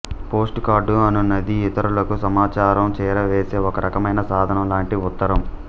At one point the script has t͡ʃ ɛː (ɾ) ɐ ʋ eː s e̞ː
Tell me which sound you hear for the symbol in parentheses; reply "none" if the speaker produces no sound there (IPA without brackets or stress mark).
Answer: ɾ